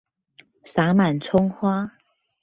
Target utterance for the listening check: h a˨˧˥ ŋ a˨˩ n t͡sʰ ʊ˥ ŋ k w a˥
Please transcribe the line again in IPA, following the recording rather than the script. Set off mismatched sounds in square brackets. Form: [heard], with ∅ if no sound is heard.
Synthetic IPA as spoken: [s] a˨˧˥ [m] a˨˩ n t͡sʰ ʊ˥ ŋ [x] w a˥